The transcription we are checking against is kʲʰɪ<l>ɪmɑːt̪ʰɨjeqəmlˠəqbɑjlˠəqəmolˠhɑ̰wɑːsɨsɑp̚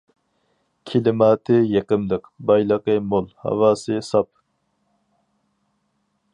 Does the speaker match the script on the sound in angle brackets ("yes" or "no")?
yes